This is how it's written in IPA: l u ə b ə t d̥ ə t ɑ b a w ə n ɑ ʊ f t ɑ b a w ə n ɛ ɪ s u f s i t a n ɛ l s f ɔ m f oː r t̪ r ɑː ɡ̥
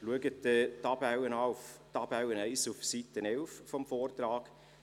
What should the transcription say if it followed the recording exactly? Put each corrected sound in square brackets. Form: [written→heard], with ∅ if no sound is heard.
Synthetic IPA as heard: l u ə [b→ɡ] ə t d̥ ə t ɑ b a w ə n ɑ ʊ f t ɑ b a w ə n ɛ ɪ s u f s i t [a→ə] n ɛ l [s→f] f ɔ m f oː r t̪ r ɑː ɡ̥